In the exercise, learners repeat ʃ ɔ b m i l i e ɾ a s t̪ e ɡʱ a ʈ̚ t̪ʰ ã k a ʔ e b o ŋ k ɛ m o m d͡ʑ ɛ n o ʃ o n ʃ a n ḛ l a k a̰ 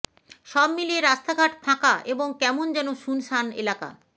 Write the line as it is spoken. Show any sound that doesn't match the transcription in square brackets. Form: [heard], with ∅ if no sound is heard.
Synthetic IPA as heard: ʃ ɔ b m i l i e ɾ a s t̪ [a] ɡʱ a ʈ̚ t̪ʰ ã k a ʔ e b o ŋ k ɛ m o [n] d͡ʑ ɛ n o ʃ [u] n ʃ a n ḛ l a k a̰